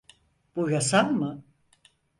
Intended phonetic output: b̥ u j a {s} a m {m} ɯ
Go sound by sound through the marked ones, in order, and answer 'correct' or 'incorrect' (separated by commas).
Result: correct, correct